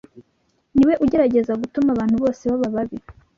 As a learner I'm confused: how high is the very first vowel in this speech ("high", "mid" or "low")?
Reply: high